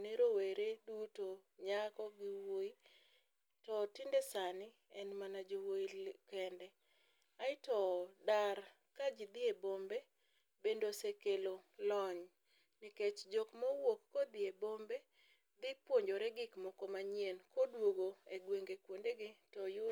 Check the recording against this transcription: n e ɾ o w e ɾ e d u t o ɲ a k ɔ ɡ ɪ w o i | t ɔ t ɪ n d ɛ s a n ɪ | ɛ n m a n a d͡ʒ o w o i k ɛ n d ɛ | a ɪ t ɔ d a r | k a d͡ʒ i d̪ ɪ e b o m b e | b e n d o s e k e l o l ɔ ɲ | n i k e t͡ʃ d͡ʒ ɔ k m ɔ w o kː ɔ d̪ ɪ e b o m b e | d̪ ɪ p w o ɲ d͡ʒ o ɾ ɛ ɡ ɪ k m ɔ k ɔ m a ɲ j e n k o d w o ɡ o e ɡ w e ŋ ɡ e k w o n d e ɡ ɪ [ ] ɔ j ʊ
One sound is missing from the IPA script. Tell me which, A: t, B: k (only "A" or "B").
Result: A